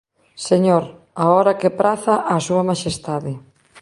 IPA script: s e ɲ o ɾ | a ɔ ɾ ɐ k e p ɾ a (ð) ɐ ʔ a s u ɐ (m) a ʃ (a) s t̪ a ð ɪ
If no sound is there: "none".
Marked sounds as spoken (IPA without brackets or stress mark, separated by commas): θ, m, e